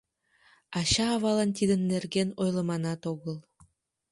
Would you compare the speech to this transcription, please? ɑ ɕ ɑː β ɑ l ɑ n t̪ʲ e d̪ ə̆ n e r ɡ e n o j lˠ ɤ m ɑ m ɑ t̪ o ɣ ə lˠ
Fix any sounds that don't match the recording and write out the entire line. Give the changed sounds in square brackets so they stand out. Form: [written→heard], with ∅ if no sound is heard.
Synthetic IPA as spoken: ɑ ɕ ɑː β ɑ l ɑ n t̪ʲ [e→i] d̪ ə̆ [n→nː] e r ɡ e n o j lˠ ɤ m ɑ [m→n] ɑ t̪ o ɣ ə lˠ